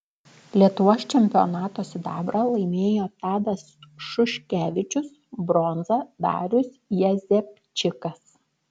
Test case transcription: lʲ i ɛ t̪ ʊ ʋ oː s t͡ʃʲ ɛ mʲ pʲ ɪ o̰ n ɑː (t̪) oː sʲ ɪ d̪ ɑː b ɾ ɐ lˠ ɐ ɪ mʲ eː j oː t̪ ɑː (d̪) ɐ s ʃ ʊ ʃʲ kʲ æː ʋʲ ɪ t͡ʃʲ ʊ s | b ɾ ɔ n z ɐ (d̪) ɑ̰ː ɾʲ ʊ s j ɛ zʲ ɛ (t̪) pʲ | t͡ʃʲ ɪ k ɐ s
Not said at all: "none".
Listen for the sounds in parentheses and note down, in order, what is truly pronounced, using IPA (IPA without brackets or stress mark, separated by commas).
t̪, d̪, d̪, none